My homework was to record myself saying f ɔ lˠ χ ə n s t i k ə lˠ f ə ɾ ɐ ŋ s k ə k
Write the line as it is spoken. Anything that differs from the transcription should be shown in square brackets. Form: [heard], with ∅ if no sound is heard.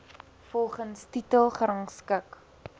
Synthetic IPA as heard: f ɔ lˠ χ ə n s t i [t] ə lˠ [χ] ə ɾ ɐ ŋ s k ə k